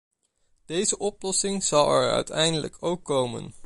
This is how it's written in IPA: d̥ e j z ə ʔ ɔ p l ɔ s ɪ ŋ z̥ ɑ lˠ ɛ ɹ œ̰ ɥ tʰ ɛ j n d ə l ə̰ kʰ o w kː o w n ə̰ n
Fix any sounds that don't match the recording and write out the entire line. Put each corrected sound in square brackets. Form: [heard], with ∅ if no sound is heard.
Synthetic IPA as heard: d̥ e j z ə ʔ ɔ p l ɔ s ɪ ŋ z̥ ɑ lˠ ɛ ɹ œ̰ ɥ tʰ ɛ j n d ə l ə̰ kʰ o w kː o w [m] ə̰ n